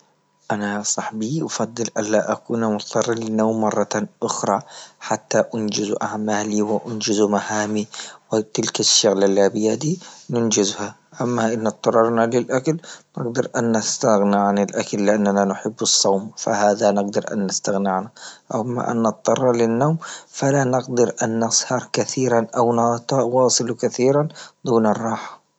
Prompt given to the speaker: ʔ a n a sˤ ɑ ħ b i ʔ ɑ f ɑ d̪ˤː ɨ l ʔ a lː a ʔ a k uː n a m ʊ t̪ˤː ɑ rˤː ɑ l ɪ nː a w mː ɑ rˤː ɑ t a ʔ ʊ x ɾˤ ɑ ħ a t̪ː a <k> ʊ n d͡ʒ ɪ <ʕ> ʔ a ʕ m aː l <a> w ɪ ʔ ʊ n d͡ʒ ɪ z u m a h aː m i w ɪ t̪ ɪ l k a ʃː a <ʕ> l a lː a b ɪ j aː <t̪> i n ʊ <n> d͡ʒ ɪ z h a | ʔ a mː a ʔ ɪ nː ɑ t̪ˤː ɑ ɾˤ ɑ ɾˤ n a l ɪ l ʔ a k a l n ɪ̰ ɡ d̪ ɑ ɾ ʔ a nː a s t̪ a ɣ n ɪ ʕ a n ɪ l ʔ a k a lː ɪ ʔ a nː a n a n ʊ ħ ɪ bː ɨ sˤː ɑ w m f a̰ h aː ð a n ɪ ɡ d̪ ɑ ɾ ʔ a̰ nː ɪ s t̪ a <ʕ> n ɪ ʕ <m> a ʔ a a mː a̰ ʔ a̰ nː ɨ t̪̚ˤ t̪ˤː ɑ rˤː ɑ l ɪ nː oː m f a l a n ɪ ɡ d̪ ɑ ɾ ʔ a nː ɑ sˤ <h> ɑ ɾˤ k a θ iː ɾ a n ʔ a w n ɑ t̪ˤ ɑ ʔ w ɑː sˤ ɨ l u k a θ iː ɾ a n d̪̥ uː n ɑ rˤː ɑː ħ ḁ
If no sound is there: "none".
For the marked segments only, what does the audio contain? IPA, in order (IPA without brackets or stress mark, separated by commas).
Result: ʔ, z, i, ɣ, d̪, n, ɣ, n, h